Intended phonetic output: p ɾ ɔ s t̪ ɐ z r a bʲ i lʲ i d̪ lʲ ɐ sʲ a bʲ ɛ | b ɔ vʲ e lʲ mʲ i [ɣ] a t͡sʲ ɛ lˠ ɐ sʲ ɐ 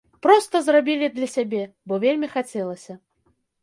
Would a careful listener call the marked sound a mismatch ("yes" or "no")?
yes